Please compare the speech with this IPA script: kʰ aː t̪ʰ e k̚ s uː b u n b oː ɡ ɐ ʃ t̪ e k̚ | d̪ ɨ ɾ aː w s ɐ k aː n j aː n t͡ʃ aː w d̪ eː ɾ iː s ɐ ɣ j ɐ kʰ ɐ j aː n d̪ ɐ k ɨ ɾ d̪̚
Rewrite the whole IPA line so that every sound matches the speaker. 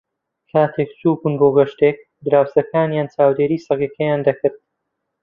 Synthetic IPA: kʰ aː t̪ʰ e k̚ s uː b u n b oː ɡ ɐ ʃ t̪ e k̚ | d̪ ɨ ɾ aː w s ɐ k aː n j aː n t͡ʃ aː w d̪ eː ɾ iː s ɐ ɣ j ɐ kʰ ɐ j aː n d̪ ɐ k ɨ ɾ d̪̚